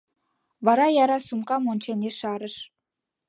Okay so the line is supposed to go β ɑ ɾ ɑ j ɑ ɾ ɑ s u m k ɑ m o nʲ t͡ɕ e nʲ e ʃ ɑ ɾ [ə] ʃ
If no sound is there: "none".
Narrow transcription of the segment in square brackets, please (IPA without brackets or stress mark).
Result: ə